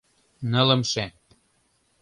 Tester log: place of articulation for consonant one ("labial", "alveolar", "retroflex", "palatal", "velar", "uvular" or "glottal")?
alveolar